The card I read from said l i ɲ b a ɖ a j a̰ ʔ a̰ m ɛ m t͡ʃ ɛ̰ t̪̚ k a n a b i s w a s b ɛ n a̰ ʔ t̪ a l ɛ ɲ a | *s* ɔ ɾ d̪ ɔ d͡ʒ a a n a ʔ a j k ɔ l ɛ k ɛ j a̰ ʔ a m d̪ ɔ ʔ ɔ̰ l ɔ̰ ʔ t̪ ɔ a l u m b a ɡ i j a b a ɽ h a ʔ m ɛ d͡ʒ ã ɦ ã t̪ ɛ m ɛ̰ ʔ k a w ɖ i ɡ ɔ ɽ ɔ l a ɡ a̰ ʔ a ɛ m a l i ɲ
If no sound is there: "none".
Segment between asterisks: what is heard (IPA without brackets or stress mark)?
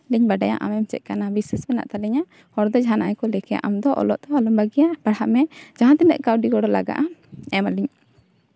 h